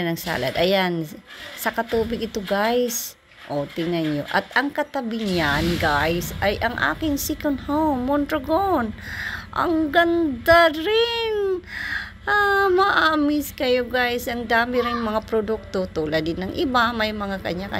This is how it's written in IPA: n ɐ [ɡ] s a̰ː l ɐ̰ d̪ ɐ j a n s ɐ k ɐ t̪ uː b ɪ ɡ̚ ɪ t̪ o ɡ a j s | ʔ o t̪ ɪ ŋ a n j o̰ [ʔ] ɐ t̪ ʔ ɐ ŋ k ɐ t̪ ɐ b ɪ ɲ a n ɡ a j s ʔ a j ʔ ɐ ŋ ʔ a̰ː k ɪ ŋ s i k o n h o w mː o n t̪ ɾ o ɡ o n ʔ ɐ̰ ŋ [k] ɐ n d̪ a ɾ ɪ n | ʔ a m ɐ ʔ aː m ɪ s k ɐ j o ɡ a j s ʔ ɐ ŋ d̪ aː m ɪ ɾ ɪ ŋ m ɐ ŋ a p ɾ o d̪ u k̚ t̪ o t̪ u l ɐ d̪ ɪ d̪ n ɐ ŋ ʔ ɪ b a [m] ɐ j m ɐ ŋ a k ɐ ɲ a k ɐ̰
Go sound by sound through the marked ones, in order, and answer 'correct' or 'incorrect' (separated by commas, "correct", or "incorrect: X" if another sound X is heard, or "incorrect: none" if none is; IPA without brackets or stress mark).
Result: incorrect: ŋ, correct, incorrect: ɡ, correct